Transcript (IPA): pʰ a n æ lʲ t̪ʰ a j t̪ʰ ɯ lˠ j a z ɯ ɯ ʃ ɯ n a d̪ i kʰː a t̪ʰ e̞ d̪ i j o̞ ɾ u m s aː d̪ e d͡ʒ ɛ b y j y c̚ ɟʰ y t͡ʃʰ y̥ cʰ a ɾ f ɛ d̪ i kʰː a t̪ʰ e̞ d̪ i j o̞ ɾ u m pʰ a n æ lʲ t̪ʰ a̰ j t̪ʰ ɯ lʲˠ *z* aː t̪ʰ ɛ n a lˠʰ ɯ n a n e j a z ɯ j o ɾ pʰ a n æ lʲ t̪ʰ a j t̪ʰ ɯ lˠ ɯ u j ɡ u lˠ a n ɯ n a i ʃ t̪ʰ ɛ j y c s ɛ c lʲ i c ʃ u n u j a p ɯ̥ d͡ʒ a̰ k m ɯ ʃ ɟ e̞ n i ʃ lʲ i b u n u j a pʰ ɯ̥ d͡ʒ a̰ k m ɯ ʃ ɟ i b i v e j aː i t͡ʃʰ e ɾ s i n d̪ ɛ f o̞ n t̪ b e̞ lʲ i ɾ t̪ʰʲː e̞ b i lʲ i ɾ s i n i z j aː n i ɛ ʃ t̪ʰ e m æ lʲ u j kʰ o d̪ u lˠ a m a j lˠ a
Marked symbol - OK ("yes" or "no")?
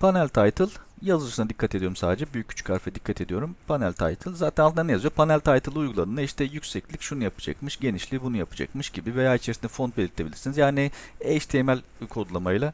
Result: yes